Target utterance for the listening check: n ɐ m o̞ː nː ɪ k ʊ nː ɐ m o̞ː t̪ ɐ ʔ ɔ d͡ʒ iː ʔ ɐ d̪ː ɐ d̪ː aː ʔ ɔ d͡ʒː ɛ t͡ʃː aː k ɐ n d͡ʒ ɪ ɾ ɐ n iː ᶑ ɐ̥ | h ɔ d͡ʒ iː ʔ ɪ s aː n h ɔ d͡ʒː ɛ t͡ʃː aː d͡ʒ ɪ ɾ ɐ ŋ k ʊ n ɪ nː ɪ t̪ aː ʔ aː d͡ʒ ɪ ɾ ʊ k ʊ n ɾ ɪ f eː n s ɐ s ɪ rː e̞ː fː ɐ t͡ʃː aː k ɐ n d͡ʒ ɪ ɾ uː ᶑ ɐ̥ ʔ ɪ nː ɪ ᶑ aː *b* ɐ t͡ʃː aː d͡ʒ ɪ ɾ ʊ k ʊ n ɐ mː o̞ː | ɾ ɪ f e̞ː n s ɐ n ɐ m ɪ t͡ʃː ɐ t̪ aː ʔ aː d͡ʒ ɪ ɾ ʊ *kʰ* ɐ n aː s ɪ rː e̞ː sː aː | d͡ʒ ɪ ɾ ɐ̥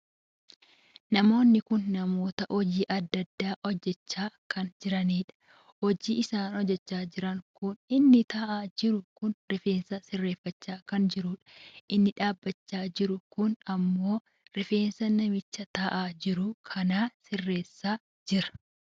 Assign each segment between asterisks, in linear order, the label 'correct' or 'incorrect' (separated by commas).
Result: incorrect, correct